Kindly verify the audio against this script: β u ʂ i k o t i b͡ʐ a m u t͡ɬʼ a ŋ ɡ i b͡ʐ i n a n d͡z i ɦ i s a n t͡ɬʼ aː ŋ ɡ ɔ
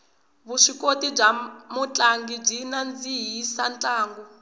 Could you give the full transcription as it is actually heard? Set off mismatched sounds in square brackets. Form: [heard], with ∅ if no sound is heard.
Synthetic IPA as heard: β u ʂ i k o t i b͡ʐ a m u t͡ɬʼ a ŋ ɡ i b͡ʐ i n a n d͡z i ɦ i s a n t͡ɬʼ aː ŋ ɡ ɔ